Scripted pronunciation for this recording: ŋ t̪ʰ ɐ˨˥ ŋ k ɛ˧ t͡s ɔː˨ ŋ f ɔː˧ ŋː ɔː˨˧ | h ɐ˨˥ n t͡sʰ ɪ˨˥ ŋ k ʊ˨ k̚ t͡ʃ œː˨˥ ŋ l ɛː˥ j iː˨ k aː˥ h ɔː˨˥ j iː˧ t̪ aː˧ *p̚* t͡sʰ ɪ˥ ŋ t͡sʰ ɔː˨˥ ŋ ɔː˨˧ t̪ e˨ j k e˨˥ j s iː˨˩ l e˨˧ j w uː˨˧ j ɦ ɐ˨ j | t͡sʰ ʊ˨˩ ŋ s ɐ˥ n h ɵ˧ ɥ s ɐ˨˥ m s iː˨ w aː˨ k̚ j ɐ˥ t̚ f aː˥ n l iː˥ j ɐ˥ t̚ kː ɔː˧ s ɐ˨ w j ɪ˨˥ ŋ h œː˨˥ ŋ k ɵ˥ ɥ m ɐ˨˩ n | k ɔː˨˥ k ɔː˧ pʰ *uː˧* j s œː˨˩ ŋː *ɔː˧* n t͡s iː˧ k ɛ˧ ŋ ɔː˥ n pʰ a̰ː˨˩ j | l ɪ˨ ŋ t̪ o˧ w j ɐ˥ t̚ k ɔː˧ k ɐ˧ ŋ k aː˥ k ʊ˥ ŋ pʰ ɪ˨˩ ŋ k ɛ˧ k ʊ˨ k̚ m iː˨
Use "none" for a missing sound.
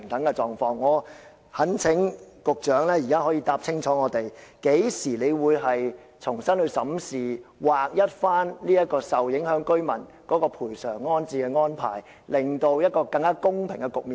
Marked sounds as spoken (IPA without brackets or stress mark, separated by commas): p̚, uː˨˩, ɔː˥